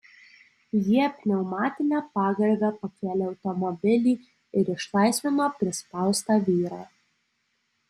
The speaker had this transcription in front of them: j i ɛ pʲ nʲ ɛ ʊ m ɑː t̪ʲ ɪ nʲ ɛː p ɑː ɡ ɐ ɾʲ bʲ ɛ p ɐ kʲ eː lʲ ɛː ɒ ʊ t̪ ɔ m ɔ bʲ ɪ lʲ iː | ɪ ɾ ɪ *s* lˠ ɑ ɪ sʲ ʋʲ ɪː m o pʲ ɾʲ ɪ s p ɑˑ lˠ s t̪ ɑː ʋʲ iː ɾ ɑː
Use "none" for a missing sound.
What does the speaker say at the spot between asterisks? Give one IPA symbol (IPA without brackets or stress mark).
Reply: ʃ